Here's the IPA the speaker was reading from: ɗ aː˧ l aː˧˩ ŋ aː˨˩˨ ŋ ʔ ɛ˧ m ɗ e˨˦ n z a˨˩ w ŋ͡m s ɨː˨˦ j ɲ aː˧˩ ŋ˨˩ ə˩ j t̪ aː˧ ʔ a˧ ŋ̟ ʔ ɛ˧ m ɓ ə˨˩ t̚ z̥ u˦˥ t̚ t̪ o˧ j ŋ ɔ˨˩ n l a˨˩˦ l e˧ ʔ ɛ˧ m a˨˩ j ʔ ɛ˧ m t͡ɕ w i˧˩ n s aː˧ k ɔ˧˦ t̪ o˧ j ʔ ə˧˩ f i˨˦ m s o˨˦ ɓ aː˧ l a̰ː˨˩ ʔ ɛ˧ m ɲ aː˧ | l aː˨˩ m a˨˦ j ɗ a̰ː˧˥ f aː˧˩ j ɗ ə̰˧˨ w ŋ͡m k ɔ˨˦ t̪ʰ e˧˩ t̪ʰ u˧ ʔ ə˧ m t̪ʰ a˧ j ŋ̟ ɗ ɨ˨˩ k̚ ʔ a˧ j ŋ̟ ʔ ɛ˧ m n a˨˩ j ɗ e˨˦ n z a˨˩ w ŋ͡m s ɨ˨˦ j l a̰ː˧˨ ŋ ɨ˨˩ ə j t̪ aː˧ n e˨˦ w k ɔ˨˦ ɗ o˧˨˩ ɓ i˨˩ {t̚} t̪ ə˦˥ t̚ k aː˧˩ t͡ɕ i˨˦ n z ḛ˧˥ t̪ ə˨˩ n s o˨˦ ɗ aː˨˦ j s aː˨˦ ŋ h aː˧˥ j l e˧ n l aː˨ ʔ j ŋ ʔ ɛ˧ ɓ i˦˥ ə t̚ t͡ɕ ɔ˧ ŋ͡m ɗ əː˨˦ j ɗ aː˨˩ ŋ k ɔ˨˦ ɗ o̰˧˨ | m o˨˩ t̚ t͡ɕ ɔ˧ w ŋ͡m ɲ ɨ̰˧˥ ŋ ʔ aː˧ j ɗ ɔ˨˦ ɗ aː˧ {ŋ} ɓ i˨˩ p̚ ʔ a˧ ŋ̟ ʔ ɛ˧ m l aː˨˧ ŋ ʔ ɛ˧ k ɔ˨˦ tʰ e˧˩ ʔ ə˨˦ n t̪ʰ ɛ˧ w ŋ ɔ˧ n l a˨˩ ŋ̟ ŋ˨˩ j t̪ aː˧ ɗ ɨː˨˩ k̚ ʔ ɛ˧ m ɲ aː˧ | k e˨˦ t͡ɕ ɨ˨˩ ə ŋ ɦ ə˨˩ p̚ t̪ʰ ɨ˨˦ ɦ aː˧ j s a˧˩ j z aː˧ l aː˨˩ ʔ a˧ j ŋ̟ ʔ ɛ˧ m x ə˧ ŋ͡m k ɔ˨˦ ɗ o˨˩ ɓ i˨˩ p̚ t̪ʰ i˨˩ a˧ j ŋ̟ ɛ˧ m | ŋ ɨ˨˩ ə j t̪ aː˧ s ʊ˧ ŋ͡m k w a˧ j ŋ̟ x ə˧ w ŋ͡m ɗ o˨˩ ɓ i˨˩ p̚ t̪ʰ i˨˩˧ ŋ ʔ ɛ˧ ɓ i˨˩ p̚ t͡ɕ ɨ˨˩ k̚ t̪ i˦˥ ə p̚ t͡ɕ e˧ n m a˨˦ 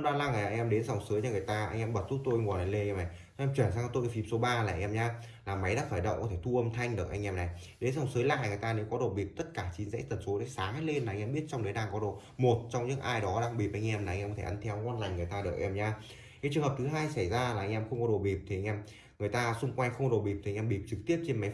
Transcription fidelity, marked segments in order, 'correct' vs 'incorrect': incorrect: p̚, correct

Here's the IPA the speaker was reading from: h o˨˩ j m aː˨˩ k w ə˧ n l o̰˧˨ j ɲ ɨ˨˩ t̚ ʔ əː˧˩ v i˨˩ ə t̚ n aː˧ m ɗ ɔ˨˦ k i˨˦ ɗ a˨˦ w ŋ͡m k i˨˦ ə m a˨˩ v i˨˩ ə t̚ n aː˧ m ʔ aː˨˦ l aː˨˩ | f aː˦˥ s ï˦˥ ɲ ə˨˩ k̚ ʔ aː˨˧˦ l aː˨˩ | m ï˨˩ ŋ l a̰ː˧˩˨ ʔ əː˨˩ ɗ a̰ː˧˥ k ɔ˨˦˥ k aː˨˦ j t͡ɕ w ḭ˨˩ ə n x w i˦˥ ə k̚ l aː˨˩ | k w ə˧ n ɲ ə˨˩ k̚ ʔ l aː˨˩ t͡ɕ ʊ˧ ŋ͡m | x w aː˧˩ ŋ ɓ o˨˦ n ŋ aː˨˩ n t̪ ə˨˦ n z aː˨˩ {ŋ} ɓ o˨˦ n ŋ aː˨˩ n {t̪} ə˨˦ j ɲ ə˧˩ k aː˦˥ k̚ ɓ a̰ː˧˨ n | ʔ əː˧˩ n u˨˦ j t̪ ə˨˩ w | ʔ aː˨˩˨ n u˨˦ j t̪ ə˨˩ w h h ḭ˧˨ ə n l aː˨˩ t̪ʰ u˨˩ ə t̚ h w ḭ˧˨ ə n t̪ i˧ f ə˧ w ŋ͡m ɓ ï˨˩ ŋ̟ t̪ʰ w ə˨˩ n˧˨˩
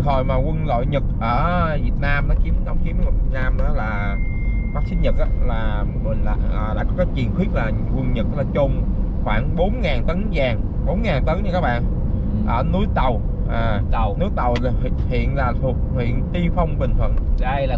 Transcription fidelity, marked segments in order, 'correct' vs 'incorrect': correct, correct

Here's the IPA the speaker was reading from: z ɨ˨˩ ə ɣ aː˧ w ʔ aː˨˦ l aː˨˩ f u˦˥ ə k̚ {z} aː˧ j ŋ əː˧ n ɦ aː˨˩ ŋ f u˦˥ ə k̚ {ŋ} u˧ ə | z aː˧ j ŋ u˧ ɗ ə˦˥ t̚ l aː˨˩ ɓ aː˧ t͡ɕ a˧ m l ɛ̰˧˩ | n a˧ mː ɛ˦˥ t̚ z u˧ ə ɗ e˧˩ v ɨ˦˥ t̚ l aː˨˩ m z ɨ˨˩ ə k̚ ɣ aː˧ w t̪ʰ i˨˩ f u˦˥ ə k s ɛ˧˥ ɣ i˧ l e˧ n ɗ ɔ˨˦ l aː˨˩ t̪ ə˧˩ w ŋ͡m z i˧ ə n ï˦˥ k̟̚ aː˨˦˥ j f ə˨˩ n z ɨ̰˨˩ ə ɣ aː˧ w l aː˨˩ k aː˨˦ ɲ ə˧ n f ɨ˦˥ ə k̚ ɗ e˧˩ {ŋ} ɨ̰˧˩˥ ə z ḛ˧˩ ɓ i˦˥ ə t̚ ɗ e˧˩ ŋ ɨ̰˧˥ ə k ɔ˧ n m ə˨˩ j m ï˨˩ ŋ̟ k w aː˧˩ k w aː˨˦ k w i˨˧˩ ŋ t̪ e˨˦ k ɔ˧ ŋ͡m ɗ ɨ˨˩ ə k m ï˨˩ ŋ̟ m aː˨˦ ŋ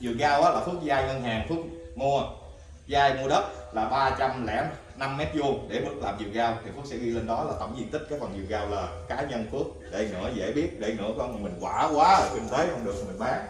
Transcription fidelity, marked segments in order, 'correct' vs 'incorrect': correct, correct, correct

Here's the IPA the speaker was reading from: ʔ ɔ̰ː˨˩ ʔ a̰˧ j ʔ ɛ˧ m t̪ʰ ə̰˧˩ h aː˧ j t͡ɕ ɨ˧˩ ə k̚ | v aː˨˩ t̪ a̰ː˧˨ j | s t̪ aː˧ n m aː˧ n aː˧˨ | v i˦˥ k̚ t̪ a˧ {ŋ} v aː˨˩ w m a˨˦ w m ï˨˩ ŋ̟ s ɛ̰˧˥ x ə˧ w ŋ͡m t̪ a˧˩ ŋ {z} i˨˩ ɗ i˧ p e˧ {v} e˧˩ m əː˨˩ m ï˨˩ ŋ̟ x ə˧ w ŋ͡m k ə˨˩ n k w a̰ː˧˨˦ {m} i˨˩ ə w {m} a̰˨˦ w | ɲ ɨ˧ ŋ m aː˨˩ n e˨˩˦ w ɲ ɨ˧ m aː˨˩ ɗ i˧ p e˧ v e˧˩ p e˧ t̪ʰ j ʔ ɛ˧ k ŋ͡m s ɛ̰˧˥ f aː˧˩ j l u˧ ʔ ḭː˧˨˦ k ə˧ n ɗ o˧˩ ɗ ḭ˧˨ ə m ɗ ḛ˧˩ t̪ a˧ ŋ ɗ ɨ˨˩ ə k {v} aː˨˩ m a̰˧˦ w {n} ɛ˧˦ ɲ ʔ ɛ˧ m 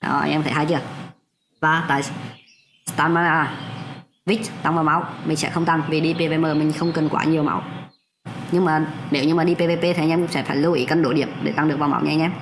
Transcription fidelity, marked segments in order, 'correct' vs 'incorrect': correct, incorrect: v, correct, incorrect: ɲ, correct, correct, incorrect: ɲ

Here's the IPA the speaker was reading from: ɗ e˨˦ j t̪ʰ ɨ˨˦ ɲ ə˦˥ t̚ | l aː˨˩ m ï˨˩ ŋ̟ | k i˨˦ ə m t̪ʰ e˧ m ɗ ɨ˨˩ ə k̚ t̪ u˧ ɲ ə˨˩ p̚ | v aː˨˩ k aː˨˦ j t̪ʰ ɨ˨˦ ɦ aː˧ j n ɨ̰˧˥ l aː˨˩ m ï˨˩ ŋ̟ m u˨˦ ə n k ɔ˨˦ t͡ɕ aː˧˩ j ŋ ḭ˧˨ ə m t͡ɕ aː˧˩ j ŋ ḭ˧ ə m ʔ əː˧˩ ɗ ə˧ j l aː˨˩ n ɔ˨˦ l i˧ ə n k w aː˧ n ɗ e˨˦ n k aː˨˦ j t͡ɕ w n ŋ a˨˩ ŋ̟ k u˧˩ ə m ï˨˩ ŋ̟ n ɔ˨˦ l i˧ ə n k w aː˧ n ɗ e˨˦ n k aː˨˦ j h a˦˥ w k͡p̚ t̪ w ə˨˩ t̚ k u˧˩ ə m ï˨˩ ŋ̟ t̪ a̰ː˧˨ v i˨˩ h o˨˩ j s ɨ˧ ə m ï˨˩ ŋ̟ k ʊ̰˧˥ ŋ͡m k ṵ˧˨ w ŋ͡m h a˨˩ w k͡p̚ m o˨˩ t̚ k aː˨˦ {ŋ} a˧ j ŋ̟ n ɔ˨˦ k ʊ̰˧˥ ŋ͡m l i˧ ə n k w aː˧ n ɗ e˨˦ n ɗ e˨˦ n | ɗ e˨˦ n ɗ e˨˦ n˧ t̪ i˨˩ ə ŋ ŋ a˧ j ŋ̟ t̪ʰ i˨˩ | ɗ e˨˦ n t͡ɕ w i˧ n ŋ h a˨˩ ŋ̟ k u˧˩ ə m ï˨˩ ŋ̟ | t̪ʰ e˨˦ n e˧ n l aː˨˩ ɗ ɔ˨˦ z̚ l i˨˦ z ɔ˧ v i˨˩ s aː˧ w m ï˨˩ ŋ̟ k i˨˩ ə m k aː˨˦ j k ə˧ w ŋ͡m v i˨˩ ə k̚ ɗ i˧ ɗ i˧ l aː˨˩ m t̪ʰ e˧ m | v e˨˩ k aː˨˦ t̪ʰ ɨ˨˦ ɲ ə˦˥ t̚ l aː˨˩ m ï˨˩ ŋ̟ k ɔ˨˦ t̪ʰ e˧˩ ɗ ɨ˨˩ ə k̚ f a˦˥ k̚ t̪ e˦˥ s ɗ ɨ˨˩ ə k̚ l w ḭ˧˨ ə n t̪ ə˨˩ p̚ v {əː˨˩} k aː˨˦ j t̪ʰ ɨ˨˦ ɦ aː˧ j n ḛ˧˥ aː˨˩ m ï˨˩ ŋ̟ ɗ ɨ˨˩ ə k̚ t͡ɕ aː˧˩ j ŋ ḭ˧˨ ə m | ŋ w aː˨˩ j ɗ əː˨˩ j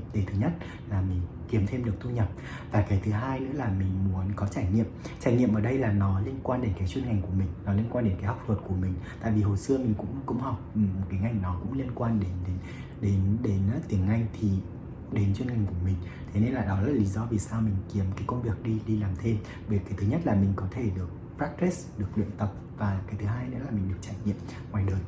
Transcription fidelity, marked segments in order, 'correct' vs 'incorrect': correct, incorrect: aː˨˩

